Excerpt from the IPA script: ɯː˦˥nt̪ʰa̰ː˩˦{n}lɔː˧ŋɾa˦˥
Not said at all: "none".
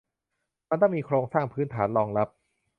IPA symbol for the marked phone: n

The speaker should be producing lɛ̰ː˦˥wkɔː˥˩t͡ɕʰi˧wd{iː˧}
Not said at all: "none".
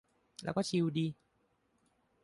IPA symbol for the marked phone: iː˧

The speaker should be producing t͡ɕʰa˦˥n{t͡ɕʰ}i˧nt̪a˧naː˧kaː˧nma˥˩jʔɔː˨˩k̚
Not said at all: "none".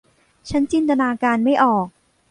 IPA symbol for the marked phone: t͡ɕ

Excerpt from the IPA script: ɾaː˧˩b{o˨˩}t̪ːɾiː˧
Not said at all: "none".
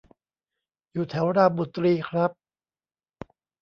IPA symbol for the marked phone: u˨˩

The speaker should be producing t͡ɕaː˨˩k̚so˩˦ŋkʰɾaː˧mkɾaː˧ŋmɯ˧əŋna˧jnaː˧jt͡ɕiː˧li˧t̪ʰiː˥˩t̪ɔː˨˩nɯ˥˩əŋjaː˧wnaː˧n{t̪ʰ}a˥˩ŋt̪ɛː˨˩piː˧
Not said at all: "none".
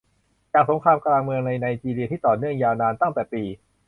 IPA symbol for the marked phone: t̪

